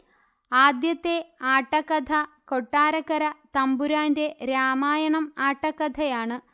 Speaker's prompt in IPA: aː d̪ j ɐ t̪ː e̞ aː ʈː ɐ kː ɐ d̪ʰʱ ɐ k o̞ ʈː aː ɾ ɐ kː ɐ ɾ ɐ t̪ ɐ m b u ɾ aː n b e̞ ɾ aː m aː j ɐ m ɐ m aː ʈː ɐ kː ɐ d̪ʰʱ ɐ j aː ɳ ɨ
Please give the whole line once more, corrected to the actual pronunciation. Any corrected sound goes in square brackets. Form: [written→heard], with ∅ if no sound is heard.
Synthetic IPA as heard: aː d̪ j ɐ t̪ː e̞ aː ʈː ɐ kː ɐ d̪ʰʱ ɐ k o̞ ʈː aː ɾ ɐ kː ɐ ɾ ɐ t̪ ɐ m b u ɾ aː n [b→d] e̞ ɾ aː m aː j ɐ [m→ɳ] ɐ m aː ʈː ɐ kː ɐ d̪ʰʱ ɐ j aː ɳ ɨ